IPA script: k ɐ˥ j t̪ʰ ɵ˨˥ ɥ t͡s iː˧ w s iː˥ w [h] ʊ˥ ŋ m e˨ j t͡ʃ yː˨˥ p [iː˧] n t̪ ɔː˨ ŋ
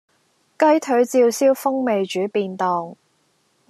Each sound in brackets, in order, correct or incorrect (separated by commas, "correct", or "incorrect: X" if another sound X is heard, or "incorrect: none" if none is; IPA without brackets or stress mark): incorrect: f, correct